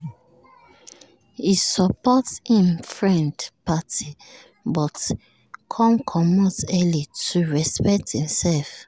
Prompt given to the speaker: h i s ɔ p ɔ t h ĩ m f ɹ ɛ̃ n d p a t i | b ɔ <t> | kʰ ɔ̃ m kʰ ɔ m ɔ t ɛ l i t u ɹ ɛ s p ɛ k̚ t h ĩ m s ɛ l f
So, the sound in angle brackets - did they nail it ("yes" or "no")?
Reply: yes